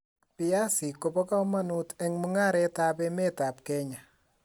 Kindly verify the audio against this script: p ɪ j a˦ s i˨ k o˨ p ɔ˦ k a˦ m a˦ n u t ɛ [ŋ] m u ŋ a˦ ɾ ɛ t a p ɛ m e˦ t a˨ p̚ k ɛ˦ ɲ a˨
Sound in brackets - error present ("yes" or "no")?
no